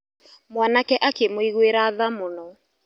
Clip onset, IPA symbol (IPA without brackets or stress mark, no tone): m